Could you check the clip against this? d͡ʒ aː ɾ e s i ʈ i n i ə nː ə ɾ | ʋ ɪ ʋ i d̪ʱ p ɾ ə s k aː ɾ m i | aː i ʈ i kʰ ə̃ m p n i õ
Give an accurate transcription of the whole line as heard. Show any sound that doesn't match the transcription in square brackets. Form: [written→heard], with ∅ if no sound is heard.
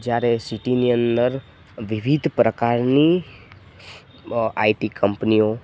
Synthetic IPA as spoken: d͡ʒ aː ɾ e s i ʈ i n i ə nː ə ɾ | ʋ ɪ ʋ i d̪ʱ p ɾ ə [s→∅] k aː ɾ [m→n] i | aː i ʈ i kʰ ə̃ m p n i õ